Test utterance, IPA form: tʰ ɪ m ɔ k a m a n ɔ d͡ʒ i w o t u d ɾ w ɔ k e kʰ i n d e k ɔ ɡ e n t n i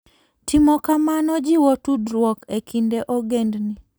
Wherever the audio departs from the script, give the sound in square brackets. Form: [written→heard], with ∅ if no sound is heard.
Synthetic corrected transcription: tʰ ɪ m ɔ k a m a n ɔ d͡ʒ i w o t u d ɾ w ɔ k e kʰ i n d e [k→ʔ] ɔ ɡ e n [t→d] n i